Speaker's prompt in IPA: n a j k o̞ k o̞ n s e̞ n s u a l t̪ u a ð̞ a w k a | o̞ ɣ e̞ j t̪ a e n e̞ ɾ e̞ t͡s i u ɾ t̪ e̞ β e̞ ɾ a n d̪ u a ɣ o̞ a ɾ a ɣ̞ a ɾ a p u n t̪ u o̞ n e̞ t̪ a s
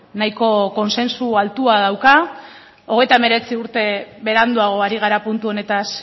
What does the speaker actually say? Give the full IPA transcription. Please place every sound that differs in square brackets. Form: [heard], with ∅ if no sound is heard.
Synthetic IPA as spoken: n a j k o̞ k o̞ n s e̞ n s u a l t̪ u a ð̞ a w k a | o̞ ɣ e̞ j t̪ a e [m] e̞ ɾ e̞ t͡s i u ɾ t̪ e̞ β e̞ ɾ a n d̪ u a ɣ o̞ a ɾ [i] ɣ̞ a ɾ a p u n t̪ u o̞ n e̞ t̪ a s